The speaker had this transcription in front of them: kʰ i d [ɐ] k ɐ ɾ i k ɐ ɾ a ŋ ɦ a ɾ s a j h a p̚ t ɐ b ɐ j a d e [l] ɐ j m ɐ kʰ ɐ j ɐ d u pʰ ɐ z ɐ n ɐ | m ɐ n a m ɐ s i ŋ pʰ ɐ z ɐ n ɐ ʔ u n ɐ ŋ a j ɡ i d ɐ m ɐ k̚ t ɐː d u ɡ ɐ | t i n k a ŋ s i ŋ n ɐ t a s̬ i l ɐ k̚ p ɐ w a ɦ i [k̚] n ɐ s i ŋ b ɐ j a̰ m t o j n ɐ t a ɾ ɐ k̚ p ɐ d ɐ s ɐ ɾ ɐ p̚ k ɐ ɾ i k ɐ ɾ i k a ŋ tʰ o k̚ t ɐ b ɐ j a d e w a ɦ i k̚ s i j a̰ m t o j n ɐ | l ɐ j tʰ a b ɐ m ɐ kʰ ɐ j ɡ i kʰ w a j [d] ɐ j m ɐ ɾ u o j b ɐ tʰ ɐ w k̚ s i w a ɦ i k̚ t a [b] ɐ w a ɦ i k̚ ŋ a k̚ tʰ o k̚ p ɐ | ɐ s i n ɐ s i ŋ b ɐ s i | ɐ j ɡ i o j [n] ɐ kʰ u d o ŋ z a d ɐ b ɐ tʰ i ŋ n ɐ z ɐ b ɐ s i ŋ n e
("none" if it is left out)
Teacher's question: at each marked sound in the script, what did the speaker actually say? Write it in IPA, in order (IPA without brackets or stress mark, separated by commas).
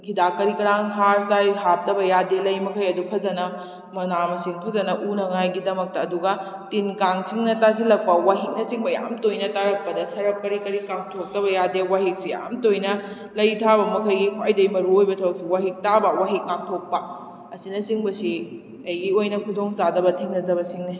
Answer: a, l, k̚, d, b, n